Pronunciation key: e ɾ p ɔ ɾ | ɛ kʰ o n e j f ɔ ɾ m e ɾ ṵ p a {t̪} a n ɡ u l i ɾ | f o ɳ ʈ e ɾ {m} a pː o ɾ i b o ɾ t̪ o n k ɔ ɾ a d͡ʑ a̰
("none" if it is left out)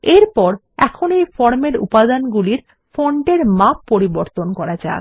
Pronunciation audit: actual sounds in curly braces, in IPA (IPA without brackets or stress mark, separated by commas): d̪, m